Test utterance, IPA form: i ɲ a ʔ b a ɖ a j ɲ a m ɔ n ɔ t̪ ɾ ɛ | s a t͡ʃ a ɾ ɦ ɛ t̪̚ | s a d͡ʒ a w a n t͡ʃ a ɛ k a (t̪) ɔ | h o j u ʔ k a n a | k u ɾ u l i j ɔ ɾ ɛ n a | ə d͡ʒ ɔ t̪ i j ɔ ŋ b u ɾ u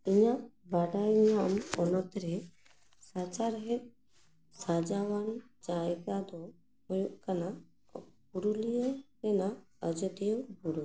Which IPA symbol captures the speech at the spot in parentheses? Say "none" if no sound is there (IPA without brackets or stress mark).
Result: d̪